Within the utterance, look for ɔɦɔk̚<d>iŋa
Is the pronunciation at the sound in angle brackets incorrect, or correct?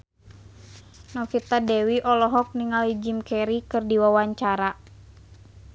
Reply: incorrect